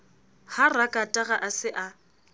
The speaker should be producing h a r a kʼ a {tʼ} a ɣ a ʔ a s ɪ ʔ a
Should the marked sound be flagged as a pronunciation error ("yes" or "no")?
no